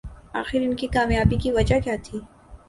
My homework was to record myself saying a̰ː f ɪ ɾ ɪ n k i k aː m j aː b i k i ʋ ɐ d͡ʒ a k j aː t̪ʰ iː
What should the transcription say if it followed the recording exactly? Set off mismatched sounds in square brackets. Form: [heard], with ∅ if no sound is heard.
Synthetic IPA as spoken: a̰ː [x] ɪ ɾ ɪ n k i k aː m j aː b i k i ʋ ɐ d͡ʒ a k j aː t̪ʰ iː